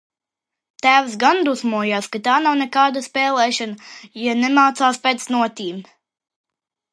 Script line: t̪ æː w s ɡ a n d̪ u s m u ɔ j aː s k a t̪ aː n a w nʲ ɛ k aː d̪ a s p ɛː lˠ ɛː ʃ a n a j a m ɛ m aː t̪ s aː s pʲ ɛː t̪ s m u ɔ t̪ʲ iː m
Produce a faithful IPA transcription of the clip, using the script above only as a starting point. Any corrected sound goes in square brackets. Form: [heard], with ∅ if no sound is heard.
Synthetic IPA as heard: t̪ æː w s ɡ a n d̪ u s m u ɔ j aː s k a t̪ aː n a w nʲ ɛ k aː d̪ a s p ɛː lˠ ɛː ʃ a n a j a [n] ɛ m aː t̪ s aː s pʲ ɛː t̪ s [n] u ɔ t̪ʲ iː m